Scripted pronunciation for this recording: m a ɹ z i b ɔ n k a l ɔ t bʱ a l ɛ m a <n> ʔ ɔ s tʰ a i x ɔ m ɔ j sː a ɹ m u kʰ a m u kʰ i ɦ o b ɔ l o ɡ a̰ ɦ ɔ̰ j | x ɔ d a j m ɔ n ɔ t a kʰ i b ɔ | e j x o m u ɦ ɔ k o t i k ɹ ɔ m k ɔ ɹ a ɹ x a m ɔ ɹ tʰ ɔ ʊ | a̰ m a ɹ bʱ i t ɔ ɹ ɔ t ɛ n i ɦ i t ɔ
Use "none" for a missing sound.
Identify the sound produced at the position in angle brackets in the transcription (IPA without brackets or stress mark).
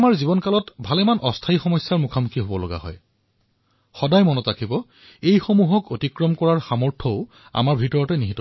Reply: n